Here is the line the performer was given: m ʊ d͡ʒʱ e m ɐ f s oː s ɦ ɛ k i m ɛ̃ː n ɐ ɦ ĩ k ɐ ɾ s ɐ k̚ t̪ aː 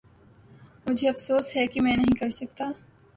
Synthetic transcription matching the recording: m ʊ d͡ʒʱ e ɐ f s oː s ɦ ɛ k i m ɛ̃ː n ɐ ɦ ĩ k ɐ ɾ s ɐ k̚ t̪ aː